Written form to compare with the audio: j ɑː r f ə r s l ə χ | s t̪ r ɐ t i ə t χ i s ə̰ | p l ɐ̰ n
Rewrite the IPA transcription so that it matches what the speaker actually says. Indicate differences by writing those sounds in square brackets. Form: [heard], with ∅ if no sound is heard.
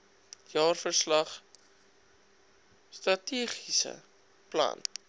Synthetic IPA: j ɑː r f ə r s l [ɐ] χ | s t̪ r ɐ t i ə [∅] χ i s ə̰ | p l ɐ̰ n